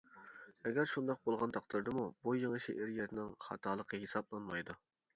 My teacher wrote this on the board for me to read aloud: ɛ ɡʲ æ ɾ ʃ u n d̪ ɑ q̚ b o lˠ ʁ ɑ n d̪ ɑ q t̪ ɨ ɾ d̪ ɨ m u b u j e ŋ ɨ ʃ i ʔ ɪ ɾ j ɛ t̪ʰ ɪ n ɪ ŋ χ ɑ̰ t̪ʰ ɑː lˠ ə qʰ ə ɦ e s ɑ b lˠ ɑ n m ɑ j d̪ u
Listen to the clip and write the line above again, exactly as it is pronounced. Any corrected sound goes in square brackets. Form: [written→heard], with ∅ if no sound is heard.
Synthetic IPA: ɛ ɡʲ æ ɾ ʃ u n d̪ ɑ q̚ b o lˠ ʁ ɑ n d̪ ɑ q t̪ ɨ ɾ d̪ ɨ m u b u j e ŋ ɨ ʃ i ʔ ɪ ɾ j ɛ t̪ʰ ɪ n ɪ ŋ χ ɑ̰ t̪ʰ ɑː lˠ ə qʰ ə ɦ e s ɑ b lˠ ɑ n m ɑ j d̪ u